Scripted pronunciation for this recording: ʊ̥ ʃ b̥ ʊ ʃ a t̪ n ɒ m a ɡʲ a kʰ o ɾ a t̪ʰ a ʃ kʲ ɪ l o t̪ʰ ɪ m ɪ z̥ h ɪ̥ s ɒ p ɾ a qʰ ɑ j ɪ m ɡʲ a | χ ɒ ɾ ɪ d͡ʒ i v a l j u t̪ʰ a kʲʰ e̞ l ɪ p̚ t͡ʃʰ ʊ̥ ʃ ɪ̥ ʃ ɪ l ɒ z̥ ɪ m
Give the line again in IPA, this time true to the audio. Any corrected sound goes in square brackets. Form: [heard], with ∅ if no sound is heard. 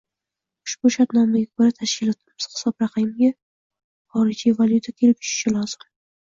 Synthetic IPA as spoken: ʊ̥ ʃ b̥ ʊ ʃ a t̪ n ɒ m a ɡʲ a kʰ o ɾ a t̪ʰ a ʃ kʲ ɪ l [ɒ] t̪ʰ ɪ m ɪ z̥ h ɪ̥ s ɒ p ɾ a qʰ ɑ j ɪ m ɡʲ a | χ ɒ ɾ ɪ d͡ʒ i v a l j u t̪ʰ a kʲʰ e̞ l ɪ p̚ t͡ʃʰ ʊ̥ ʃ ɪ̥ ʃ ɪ l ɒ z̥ ɪ m